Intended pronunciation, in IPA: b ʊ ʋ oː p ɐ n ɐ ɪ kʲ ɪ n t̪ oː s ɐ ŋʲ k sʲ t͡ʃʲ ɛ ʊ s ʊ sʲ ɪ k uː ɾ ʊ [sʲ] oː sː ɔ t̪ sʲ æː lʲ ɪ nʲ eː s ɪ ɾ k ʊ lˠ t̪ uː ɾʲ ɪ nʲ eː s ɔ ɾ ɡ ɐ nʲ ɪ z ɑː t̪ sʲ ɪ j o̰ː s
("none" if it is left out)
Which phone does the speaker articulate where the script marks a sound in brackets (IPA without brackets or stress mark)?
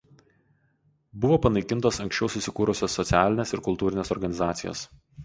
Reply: sʲ